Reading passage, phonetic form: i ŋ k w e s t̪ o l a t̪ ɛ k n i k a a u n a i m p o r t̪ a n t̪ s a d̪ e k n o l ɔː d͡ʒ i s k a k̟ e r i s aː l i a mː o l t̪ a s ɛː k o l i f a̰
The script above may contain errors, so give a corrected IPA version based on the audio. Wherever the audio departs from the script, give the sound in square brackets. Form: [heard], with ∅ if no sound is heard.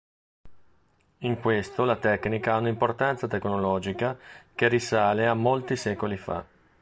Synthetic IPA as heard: i ŋ k w e s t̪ o l a t̪ ɛ k n i k a a u n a i m p o r t̪ a n t̪ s a [t̪] e k n o l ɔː d͡ʒ i [∅] k a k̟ e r i s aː l [e] a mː o l t̪ [i] s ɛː k o l i f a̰